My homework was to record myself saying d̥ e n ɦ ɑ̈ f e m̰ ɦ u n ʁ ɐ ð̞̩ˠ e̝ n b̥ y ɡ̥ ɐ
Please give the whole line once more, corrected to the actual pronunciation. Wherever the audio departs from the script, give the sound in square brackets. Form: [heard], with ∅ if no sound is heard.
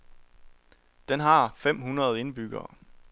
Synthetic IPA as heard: d̥ e n ɦ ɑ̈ f e m̰ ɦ u n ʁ ɐ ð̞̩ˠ e̝ n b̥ y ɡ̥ [ɐː]